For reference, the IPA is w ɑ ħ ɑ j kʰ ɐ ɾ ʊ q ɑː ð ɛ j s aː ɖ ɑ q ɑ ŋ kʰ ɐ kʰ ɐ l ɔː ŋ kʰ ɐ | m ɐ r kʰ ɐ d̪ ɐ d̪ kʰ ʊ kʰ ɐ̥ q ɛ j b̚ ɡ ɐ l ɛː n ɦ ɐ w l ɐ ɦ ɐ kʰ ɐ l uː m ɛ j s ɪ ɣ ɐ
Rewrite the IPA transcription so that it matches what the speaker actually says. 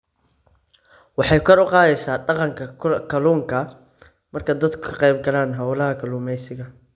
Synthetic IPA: w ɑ ħ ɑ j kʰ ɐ ɾ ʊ q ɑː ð ɛ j s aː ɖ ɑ q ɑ ŋ kʰ ɐ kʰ ɐ l uː ŋ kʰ ɐ | m ɐ r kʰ ɐ d̪ ɐ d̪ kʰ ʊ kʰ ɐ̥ q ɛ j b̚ ɡ ɐ l aː n ɦ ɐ w l ɐ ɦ ɐ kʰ ɐ l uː m ɛ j s ɪ ɣ ɐ